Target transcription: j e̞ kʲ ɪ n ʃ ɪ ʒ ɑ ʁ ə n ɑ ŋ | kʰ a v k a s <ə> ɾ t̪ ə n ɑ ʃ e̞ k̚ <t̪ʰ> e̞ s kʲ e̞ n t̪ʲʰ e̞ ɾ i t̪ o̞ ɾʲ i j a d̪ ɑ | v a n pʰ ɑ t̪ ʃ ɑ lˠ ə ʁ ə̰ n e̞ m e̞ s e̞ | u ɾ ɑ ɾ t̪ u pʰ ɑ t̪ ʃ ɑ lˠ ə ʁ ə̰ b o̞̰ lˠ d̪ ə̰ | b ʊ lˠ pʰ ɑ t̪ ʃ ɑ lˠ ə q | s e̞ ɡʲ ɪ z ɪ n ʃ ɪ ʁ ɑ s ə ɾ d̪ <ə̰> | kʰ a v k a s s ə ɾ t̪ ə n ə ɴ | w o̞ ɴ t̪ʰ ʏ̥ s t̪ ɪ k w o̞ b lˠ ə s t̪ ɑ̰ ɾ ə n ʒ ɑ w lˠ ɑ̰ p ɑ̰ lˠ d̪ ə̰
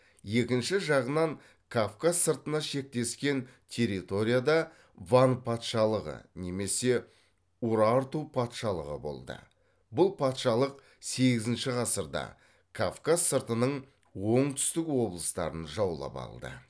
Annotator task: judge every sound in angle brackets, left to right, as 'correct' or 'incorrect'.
correct, incorrect: t̪, incorrect: ɑ̰

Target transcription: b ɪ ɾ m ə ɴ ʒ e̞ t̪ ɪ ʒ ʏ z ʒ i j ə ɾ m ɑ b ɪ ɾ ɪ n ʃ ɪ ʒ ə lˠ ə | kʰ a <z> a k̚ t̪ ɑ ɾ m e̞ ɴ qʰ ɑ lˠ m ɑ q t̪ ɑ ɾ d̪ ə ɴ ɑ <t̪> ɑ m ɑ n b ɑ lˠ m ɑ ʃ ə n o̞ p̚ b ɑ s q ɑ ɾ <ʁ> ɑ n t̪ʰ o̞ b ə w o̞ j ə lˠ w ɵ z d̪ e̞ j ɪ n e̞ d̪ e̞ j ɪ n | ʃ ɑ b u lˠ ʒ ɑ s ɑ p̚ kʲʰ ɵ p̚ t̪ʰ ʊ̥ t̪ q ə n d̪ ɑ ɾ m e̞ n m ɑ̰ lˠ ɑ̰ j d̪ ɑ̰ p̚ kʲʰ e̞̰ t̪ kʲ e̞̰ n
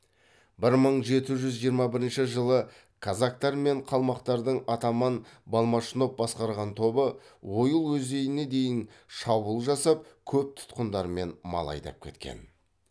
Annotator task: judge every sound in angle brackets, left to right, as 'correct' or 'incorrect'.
correct, correct, correct

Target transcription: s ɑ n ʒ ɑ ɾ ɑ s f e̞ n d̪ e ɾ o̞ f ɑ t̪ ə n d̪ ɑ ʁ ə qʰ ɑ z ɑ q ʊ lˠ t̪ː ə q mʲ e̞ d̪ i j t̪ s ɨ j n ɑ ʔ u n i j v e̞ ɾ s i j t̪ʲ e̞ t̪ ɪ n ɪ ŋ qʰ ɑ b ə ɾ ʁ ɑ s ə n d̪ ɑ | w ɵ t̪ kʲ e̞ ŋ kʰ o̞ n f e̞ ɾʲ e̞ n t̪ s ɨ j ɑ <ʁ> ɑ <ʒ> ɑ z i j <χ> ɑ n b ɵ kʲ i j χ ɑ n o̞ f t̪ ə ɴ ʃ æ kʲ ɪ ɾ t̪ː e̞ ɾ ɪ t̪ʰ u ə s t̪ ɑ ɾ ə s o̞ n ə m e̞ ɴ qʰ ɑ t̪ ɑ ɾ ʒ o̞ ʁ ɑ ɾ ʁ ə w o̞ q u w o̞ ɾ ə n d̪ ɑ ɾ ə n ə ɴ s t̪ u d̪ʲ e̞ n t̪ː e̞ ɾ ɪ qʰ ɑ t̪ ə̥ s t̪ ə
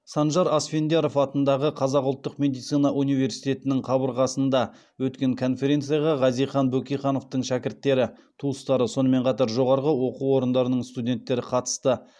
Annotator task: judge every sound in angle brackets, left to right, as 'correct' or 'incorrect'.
correct, incorrect: ʁ, correct

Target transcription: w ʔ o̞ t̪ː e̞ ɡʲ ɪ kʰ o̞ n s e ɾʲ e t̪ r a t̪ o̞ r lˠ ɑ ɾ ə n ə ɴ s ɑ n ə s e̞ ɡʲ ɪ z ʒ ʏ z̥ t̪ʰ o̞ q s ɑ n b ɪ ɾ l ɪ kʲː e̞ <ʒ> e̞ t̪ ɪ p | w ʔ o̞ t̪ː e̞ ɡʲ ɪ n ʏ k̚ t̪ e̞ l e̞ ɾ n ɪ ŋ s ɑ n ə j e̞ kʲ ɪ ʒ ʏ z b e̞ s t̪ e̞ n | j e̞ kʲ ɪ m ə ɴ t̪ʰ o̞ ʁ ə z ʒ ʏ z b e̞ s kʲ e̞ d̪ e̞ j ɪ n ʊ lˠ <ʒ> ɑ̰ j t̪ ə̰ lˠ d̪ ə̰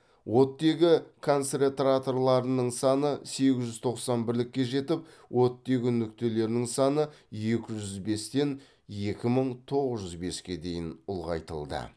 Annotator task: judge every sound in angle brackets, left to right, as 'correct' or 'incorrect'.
correct, incorrect: ʁ

